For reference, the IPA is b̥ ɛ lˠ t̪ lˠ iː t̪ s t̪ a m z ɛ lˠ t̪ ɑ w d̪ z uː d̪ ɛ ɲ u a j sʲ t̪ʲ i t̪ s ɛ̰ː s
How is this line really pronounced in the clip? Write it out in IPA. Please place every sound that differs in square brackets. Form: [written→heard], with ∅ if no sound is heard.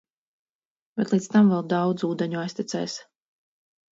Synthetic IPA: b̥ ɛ [lˠ→∅] t̪ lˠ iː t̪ s t̪ a m [z→v] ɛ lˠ [t̪→d̪] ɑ w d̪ z uː d̪ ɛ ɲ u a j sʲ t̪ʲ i t̪ s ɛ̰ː s